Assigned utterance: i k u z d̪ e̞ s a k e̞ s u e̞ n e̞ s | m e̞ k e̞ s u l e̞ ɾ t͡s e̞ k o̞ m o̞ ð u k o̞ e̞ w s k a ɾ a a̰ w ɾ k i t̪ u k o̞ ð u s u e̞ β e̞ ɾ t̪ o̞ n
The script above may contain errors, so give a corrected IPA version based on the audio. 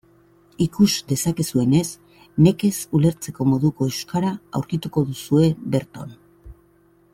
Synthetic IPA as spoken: i k u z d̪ e̞ s a k e̞ s u e̞ n e̞ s | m e̞ k e̞ s u l e̞ ɾ t͡s e̞ k o̞ m o̞ ð u k o̞ e̞ w s k a ɾ a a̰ w ɾ k i t̪ u k o̞ ð u s u e̞ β e̞ ɾ t̪ o̞ n